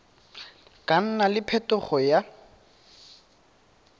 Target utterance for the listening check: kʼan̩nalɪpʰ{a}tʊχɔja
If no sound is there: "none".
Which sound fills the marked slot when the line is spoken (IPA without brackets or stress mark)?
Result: ɛ